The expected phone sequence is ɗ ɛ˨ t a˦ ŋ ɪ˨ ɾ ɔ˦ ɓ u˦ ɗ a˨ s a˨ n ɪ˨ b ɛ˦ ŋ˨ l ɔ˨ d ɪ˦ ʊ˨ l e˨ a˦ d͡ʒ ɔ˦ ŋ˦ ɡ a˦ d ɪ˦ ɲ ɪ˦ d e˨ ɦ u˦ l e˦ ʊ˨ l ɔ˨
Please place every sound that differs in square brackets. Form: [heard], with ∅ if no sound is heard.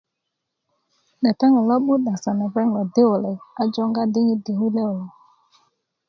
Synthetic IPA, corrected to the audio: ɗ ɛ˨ t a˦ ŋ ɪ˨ [l] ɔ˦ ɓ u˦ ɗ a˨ s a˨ n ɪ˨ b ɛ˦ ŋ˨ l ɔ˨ d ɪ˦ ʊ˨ l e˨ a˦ d͡ʒ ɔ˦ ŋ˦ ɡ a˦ d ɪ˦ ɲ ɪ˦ d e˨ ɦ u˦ l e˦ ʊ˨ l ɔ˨